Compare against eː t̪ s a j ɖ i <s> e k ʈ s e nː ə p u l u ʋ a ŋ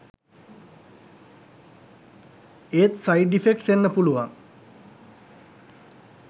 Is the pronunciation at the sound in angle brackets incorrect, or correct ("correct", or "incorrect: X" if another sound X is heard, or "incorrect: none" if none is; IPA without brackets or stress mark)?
incorrect: f